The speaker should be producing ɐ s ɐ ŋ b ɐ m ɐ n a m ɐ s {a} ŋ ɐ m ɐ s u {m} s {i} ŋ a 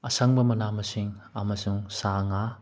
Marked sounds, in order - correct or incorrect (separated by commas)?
incorrect, incorrect, incorrect